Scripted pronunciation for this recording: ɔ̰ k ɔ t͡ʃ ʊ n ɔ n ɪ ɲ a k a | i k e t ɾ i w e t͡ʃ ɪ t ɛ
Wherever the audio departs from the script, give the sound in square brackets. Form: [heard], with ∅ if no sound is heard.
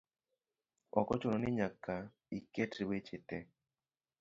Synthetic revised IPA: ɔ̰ k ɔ t͡ʃ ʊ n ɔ n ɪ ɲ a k a | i k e t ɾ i w e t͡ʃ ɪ t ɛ